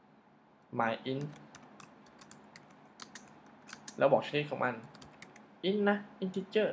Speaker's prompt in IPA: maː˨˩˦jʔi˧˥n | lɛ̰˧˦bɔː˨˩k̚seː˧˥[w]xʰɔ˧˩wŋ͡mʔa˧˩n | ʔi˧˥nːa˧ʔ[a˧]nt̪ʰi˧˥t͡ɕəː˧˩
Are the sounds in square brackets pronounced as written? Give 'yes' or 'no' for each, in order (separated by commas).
no, no